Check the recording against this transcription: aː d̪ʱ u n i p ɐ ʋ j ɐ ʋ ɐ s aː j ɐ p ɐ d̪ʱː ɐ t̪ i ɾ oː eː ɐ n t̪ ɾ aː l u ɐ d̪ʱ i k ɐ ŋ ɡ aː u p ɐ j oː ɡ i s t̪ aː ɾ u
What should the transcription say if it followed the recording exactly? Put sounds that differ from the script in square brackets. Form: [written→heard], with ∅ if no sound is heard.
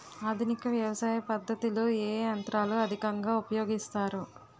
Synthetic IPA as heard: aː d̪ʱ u n i [p→k] ɐ ʋ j ɐ ʋ ɐ s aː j ɐ p ɐ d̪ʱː ɐ t̪ i [ɾ→l] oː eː ɐ n t̪ ɾ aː l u ɐ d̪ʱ i k ɐ ŋ ɡ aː u p ɐ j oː ɡ i s t̪ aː ɾ u

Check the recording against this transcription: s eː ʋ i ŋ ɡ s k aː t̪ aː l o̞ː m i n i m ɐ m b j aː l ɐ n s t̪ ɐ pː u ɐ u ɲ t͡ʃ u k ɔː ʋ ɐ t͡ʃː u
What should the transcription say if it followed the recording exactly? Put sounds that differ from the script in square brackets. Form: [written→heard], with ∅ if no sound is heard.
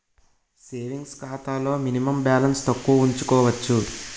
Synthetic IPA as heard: s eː ʋ i ŋ ɡ s k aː t̪ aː l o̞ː m i n i m ɐ m b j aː l ɐ n s t̪ ɐ [pː→kː] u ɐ u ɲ t͡ʃ u k ɔː ʋ ɐ t͡ʃː u

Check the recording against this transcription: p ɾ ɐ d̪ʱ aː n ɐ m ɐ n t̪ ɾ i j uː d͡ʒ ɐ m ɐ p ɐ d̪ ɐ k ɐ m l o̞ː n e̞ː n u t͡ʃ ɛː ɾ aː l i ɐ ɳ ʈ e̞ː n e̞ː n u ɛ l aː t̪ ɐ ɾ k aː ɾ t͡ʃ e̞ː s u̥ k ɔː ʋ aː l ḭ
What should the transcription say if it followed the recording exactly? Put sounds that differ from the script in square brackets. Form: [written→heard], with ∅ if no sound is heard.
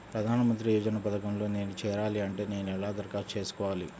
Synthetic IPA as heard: p ɾ ɐ d̪ʱ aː n ɐ m ɐ n t̪ ɾ i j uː d͡ʒ ɐ [m→n] ɐ p ɐ d̪ ɐ k ɐ m l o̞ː n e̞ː n u t͡ʃ ɛː ɾ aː l i ɐ ɳ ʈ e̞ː n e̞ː n u ɛ l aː [t̪→d̪] ɐ ɾ k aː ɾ t͡ʃ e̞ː s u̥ k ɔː ʋ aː l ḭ

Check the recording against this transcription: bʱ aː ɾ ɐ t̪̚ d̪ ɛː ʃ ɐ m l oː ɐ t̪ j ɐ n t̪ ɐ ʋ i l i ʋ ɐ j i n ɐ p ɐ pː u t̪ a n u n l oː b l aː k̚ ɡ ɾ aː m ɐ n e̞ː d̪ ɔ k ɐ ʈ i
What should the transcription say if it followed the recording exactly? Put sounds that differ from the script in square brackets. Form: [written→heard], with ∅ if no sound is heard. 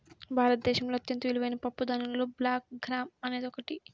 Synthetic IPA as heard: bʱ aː ɾ ɐ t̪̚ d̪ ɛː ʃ ɐ m l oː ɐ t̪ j ɐ n t̪ ɐ ʋ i l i ʋ ɐ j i n ɐ p ɐ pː u [t̪→d̪] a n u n l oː b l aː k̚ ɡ ɾ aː m ɐ n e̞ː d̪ ɔ k ɐ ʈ i

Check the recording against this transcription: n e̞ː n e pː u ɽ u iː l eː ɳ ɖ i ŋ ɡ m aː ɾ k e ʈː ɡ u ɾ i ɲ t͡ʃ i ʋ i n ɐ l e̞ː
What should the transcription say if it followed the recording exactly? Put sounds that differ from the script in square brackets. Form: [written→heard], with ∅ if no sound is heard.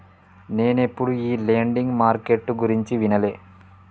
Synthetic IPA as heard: n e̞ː n e pː u ɽ u iː l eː ɳ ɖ i ŋ ɡ m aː ɾ k e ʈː ɡ u ɾ i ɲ t͡ʃ i ʋ i n ɐ l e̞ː

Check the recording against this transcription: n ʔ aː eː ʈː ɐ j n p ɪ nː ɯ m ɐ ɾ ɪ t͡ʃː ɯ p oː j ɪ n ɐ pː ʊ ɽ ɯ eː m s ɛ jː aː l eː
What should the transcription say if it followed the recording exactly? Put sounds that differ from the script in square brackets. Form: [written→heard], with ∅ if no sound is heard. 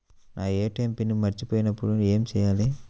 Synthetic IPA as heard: n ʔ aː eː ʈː ɐ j [n→m] p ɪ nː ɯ m ɐ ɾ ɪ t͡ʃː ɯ p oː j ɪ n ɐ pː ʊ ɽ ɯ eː m s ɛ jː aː l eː

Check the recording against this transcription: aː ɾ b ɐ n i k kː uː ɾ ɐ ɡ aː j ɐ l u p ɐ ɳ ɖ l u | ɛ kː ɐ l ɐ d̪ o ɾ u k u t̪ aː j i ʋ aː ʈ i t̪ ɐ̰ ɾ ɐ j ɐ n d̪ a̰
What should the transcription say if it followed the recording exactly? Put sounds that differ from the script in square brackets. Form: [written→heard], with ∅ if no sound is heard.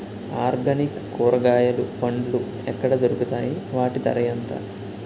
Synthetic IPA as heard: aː ɾ [b→ɡ] ɐ n i k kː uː ɾ ɐ ɡ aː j ɐ l u p ɐ ɳ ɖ l u | ɛ kː ɐ [l→ɽ] ɐ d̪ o ɾ u k u t̪ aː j i ʋ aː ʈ i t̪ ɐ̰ ɾ ɐ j ɐ n [d̪→t̪] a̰

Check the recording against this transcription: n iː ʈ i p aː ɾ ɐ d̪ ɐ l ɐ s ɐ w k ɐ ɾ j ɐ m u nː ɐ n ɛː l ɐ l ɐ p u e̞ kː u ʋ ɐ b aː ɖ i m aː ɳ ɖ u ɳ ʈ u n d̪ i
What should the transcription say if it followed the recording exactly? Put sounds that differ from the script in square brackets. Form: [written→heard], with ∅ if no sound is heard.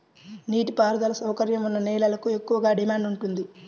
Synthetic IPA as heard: n iː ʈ i p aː ɾ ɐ d̪ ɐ l ɐ s ɐ w k ɐ ɾ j ɐ m u nː ɐ n ɛː l ɐ l ɐ [p→k] u e̞ kː u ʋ ɐ [b→ɡ] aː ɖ i m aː ɳ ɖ u ɳ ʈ u n d̪ i

